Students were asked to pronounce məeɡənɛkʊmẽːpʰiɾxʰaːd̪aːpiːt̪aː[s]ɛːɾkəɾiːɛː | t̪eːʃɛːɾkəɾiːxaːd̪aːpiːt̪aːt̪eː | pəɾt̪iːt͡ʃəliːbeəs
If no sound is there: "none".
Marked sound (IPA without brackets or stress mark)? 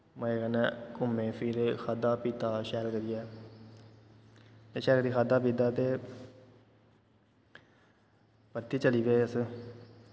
ʃ